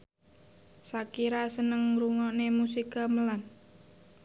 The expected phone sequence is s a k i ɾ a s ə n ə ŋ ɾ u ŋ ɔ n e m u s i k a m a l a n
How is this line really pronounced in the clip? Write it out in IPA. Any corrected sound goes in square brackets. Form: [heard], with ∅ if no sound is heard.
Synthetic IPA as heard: s a k i ɾ a s ə n ə ŋ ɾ u ŋ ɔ n e m u s i k a m [ə] l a n